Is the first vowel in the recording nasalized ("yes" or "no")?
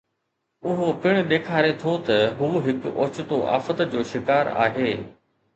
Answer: no